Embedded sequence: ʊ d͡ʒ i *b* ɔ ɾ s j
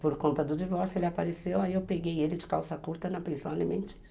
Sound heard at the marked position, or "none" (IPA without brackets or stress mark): v